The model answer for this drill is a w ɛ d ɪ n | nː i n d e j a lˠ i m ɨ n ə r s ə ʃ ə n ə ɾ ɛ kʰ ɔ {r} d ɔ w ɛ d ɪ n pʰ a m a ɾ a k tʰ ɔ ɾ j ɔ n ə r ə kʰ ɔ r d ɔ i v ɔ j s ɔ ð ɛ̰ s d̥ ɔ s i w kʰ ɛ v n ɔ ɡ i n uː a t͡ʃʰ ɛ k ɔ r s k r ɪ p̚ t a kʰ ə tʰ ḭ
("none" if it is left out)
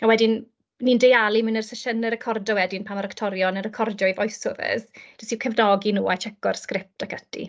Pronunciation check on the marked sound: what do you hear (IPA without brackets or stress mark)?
r